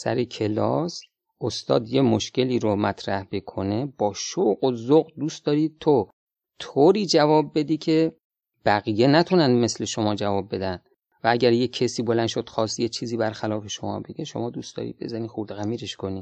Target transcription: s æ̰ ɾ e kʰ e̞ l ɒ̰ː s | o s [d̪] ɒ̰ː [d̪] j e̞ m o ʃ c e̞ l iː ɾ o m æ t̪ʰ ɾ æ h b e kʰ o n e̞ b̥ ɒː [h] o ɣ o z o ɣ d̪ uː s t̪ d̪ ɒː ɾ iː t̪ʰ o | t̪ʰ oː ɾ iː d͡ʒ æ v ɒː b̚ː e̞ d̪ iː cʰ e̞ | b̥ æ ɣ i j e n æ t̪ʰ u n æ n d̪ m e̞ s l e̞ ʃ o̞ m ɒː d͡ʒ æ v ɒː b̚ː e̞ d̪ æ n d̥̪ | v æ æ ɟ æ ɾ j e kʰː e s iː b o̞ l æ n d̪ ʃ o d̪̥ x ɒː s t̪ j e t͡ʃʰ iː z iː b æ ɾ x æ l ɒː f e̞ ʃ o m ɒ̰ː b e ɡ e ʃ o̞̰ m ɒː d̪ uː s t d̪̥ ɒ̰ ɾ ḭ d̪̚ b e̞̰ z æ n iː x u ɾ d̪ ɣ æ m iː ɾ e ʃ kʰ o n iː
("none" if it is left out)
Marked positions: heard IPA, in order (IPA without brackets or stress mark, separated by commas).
t̪, d̪, ʃ